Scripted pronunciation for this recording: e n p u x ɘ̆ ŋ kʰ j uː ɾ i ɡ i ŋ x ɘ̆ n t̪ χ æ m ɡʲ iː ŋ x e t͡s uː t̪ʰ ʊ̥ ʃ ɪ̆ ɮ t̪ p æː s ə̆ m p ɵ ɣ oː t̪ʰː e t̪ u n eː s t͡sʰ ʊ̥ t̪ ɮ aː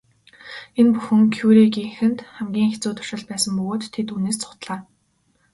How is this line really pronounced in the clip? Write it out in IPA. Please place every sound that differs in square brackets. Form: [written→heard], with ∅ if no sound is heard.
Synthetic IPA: e n p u x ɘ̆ ŋ kʰ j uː ɾ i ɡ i ŋ x ɘ̆ n t̪ χ æ m ɡʲ iː ŋ x e t͡s uː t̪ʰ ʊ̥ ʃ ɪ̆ ɮ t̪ p æː s ə̆ m p ɵ ɣ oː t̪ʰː e t̪ u n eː s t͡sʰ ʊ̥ t̪ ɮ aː